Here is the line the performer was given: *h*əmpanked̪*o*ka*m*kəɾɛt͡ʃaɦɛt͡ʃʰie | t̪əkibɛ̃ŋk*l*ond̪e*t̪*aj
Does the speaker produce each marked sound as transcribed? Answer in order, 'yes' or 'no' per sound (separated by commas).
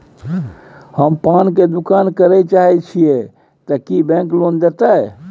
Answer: yes, no, no, yes, yes